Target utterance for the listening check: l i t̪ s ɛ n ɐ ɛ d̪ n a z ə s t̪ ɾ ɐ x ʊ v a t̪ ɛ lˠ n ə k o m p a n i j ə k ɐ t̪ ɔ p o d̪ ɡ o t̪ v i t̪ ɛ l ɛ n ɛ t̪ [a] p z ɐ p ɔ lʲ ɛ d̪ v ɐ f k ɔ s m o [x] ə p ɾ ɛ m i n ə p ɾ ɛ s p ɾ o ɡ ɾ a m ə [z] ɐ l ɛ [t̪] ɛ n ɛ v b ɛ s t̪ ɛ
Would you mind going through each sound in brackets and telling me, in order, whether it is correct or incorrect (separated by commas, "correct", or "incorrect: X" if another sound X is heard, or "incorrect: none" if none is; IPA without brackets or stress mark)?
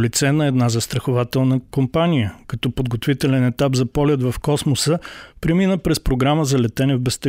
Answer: correct, incorrect: s, correct, correct